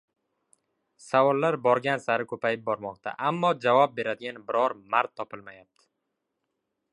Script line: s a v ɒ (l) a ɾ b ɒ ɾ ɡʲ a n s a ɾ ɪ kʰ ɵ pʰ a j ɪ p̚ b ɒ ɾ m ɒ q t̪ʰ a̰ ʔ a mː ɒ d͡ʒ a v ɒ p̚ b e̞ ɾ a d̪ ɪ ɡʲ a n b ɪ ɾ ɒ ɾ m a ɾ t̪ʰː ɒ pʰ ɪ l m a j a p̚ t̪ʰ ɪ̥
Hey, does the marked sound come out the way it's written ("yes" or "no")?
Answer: no